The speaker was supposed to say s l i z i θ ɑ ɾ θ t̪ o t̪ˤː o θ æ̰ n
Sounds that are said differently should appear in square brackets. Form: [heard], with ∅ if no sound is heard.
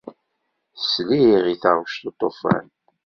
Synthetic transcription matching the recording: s l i [ʁ] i θ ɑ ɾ [ʃ] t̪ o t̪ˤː o [f] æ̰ n